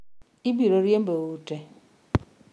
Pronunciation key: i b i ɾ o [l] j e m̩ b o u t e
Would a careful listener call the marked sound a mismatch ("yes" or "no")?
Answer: yes